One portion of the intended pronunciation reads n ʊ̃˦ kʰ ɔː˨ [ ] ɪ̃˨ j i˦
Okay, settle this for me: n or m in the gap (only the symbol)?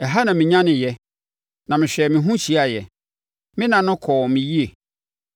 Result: m